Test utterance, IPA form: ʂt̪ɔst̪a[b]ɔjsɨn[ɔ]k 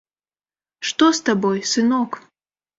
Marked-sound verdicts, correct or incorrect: correct, correct

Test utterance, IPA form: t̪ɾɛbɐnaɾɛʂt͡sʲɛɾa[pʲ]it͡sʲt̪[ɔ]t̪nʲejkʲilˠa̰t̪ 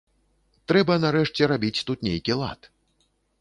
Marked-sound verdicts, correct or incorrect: incorrect: bʲ, incorrect: u

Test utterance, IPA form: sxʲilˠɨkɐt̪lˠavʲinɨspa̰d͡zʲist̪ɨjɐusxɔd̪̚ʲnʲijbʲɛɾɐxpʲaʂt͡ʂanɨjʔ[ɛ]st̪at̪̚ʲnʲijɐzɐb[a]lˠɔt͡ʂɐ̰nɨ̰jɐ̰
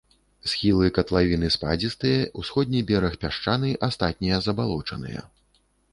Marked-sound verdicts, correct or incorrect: incorrect: a, correct

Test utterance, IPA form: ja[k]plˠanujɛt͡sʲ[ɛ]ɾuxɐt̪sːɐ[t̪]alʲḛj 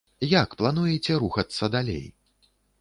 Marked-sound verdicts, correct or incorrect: correct, correct, incorrect: d̪

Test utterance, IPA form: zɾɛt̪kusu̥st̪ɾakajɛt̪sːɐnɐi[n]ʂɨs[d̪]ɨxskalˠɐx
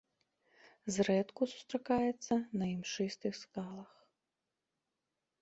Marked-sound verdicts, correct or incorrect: incorrect: m, incorrect: t̪

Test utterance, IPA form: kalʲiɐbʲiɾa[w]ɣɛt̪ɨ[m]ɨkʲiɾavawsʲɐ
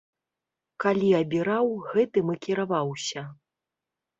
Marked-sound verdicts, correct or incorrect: correct, correct

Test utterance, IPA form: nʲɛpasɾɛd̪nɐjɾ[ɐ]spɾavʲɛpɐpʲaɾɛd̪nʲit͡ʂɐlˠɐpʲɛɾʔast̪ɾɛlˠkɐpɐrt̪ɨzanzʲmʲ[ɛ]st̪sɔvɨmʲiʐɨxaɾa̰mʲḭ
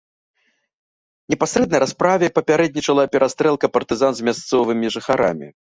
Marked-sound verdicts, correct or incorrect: incorrect: a, incorrect: a

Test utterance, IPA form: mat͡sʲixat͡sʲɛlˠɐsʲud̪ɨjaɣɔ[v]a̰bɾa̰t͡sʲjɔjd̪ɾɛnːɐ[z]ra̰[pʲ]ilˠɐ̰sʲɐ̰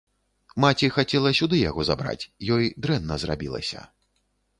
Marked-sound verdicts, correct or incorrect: incorrect: z, correct, incorrect: bʲ

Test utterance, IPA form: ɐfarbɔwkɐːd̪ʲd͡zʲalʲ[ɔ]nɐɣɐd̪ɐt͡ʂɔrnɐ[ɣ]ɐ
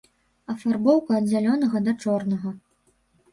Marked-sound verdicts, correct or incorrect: correct, correct

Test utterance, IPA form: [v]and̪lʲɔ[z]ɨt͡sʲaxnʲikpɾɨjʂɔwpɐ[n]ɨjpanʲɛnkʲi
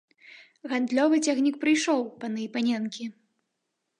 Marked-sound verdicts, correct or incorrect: incorrect: ɣ, incorrect: v, correct

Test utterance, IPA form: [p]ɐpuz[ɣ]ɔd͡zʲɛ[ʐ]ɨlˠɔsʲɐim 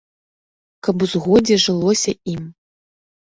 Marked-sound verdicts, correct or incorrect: incorrect: k, correct, correct

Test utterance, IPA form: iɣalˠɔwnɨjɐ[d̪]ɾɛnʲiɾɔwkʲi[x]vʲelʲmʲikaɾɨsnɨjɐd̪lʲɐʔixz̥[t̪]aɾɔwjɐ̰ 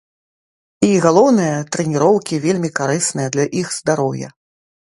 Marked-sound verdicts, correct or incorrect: incorrect: t̪, incorrect: none, incorrect: d̪

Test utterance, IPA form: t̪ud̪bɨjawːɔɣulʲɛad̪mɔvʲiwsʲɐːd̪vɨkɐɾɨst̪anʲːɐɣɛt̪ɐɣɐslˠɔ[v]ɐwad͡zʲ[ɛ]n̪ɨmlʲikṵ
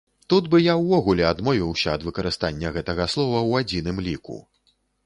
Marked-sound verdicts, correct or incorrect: correct, incorrect: i

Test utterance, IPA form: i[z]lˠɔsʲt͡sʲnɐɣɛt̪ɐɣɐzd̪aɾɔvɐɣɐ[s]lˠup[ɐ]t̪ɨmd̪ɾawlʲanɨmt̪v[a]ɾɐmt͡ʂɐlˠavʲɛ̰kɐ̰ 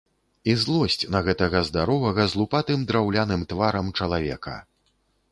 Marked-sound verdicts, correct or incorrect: correct, incorrect: z, incorrect: a, correct

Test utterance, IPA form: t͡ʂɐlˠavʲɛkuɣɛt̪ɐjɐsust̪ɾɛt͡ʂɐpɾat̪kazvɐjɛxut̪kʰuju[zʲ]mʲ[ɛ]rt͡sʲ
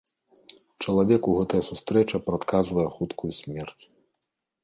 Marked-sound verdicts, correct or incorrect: incorrect: sʲ, correct

